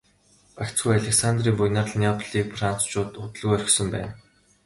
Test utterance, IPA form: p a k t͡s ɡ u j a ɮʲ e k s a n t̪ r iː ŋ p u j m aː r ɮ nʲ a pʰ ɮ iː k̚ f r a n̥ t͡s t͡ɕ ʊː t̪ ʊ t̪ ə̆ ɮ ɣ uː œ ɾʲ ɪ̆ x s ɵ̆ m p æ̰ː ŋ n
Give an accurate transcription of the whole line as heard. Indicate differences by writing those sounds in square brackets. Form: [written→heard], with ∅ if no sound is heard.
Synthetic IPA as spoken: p a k t͡s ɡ u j a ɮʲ e k s a n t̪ r iː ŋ p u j [m→n] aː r ɮ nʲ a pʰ ɮ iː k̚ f r a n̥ t͡s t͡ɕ ʊː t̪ ʊ t̪ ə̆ ɮ ɣ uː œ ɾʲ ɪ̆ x s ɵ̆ m p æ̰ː [ŋ→∅] n